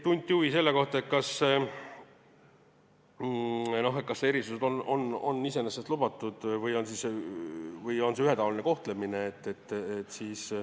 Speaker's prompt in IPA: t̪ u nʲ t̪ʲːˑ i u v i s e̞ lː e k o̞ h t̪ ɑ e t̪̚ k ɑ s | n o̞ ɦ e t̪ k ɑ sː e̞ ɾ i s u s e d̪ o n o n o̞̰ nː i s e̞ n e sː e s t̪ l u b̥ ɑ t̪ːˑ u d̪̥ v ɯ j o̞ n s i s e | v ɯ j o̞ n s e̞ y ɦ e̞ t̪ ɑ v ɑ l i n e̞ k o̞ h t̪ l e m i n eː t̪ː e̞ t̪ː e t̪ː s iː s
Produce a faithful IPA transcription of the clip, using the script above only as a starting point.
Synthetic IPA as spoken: t̪ u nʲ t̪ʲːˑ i u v i s e̞ lː e k o̞ h t̪ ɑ e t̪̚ k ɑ s | n o̞ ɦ e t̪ k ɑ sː e̞ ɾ i s u s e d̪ o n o n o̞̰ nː i s e̞ n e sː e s t̪ l u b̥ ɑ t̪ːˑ u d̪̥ v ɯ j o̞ n s i s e | v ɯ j o̞ n s e̞ y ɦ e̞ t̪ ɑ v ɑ l i n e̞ k o̞ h t̪ l e m i n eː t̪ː e̞ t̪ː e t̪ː s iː s